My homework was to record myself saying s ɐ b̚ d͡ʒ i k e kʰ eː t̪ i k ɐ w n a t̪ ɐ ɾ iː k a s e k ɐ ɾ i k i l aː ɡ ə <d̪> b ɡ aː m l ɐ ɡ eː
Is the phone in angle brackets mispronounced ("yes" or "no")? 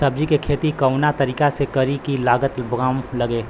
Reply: yes